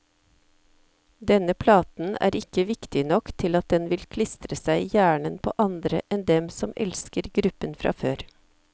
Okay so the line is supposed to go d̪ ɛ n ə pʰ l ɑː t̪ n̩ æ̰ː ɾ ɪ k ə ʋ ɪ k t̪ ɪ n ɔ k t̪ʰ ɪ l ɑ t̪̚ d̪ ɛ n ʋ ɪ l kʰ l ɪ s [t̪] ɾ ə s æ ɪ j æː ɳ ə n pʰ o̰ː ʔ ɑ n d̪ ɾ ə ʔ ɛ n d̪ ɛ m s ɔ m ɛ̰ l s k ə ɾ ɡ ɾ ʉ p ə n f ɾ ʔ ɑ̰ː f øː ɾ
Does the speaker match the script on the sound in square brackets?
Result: yes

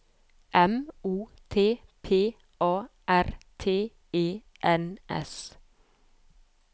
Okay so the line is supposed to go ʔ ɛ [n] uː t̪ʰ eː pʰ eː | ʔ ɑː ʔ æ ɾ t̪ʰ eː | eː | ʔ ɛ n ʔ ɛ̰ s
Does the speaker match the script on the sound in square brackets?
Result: no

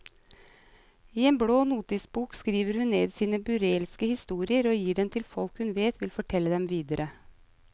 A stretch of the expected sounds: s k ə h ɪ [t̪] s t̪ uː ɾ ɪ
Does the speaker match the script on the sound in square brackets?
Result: no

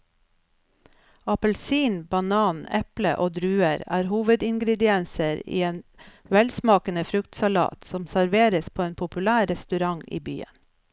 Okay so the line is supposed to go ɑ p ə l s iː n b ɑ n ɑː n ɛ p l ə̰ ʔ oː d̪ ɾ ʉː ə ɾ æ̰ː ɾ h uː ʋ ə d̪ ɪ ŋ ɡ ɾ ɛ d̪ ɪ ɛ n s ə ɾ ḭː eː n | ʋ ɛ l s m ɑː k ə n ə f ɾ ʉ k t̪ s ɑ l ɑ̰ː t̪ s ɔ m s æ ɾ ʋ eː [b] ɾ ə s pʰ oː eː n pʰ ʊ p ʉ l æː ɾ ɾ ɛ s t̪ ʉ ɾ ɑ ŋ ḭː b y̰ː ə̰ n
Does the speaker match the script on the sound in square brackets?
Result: no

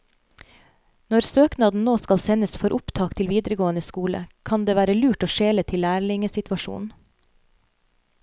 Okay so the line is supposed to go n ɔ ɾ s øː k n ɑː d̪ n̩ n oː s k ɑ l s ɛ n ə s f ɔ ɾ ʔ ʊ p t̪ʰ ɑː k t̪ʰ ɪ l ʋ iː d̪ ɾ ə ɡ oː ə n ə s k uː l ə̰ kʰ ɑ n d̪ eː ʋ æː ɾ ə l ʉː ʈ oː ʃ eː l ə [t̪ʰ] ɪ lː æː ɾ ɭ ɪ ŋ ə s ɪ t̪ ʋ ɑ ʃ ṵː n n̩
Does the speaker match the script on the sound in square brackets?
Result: yes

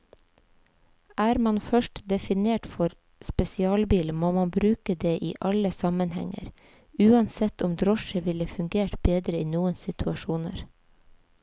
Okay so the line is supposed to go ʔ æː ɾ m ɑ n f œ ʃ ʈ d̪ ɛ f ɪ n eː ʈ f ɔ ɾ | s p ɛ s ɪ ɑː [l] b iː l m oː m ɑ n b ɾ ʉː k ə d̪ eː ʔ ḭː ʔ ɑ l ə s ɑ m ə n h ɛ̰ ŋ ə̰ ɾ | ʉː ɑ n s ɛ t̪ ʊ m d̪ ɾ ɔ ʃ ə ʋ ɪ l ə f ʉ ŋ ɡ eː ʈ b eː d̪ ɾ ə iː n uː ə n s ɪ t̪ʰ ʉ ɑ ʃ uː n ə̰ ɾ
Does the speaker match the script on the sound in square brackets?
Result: yes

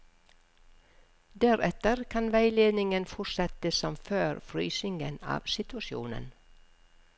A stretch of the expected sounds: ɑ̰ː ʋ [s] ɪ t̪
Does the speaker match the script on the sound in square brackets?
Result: yes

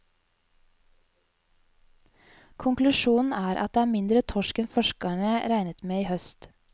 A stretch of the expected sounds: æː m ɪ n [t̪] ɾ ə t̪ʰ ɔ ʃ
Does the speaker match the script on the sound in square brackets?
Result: no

